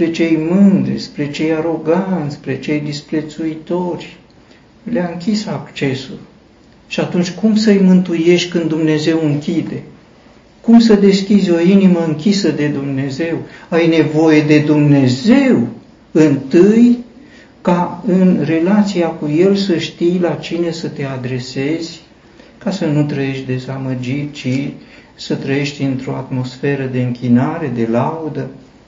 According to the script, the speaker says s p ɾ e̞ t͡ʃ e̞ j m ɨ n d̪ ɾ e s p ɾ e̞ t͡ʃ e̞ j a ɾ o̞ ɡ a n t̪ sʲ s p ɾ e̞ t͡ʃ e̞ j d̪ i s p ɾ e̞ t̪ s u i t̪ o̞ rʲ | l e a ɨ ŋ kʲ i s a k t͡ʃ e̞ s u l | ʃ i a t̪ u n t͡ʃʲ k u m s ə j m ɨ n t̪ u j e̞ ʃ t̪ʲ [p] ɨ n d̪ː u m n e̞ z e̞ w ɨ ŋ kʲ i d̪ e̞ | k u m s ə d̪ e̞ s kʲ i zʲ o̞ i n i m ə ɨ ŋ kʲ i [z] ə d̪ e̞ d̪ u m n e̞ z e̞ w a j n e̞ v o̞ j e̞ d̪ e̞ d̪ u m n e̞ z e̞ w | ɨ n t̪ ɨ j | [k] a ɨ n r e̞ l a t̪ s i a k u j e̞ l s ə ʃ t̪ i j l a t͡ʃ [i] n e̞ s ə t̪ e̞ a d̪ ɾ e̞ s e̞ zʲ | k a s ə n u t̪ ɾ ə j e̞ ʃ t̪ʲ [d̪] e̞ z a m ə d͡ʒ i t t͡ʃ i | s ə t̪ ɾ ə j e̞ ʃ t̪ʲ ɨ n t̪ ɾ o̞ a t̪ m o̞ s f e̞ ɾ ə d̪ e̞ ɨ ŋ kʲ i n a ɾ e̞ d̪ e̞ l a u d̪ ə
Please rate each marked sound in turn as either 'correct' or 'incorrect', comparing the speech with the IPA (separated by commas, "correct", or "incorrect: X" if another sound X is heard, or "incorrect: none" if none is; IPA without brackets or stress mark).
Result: incorrect: k, incorrect: s, correct, correct, correct